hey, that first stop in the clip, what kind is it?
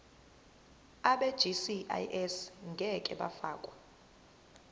implosive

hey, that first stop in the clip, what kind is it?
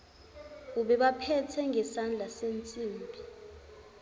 implosive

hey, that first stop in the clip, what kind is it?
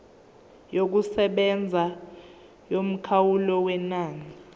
plain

